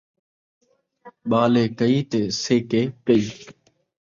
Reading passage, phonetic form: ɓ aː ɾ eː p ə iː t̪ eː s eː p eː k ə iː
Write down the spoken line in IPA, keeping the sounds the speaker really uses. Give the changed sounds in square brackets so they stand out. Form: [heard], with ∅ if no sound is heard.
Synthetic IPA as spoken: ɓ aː [l] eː [k] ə iː t̪ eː s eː [k] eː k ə iː